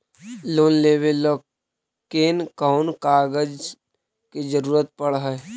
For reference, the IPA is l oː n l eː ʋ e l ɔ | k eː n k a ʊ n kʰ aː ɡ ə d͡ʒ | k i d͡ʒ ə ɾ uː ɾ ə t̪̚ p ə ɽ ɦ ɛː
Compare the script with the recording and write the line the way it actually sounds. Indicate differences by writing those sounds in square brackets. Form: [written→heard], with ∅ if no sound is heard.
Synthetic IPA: l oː n l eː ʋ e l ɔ | k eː n k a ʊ n [kʰ→k] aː ɡ ə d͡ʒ | k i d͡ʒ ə ɾ uː ɾ ə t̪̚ p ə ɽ ɦ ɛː